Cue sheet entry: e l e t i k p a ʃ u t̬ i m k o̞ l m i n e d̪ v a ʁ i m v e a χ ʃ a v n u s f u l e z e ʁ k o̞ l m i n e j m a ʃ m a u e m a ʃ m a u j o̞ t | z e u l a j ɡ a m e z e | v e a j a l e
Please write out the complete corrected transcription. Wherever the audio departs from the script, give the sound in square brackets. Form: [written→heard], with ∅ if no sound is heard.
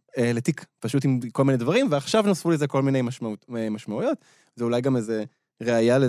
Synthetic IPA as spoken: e l e t i k p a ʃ u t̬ i m k o̞ l m i n e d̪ v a ʁ i m v e a χ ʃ a v n [u→o] s f u l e z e [ʁ→∅] k o̞ l m i n e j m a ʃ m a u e m a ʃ m a u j o̞ t | z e u l a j ɡ a m e z e | [v→ʁ] e a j a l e